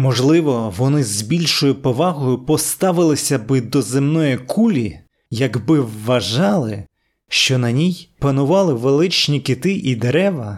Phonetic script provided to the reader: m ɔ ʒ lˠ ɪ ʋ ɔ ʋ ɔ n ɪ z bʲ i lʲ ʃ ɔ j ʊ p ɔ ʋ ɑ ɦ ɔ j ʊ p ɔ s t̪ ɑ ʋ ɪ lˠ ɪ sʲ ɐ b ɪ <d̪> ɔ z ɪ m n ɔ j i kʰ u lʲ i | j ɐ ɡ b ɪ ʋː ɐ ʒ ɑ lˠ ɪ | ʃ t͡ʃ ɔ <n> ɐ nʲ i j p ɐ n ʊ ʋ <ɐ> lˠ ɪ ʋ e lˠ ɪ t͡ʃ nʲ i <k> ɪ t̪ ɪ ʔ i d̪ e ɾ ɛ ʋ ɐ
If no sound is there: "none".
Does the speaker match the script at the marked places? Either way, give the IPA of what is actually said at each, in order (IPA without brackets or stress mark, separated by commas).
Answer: d̪, n, ɑ, k